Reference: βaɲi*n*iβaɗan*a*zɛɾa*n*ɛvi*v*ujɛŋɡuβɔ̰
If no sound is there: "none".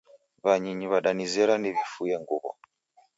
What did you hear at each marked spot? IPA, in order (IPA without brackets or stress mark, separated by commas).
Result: ɲ, i, n, f